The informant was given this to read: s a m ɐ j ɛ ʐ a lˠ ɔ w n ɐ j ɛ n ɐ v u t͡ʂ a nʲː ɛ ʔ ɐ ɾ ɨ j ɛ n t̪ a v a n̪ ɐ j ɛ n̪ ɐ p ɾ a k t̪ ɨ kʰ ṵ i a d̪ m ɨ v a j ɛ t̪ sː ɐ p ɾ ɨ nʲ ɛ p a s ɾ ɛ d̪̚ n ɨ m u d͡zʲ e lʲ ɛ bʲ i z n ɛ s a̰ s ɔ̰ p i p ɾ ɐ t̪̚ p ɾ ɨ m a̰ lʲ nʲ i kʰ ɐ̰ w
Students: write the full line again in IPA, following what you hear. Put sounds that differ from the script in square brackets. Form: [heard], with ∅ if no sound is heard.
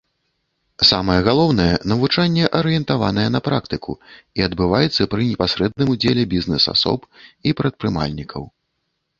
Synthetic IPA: s a m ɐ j ɛ [ɣ] a lˠ ɔ w n ɐ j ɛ n ɐ v u t͡ʂ a nʲː ɛ ʔ ɐ ɾ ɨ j ɛ n t̪ a v a n̪ ɐ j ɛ n̪ ɐ p ɾ a k t̪ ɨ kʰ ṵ i [ɐ] d̪ [b] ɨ v a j ɛ t̪ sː ɐ p ɾ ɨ nʲ ɛ p a s ɾ ɛ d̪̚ n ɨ m u d͡zʲ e lʲ ɛ bʲ i z n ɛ s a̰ s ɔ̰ p i p ɾ ɐ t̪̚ p ɾ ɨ m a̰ lʲ nʲ i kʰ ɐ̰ w